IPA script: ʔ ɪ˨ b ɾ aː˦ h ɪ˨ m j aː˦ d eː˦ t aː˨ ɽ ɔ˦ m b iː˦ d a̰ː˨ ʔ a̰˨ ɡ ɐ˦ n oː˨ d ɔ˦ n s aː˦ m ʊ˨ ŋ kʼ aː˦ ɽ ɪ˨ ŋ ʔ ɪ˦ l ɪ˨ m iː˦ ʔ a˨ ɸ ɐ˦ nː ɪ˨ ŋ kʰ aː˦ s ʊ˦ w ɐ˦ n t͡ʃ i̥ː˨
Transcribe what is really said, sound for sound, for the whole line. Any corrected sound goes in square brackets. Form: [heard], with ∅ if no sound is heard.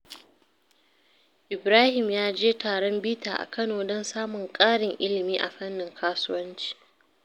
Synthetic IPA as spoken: ʔ ɪ˨ b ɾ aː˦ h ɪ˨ m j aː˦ [d͡ʒ] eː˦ t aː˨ ɽ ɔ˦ m b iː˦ [t] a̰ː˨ ʔ a̰˨ [k] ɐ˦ n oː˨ d ɔ˦ n s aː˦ m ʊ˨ ŋ kʼ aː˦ ɽ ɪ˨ ŋ ʔ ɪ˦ l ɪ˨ m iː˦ ʔ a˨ ɸ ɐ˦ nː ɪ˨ ŋ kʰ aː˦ s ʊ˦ w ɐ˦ n t͡ʃ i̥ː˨